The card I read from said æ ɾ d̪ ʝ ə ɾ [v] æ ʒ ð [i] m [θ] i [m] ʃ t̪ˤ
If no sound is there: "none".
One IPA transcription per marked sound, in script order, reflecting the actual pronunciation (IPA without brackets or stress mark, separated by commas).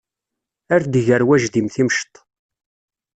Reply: w, i, θ, m